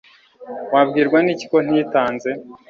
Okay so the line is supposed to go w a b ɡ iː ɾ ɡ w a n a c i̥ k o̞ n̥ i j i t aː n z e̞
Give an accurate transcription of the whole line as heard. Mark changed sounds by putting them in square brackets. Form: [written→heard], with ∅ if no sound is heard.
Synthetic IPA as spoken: w a b ɡ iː ɾ ɡ w a n [a→i] c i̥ k o̞ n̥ i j i t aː n z e̞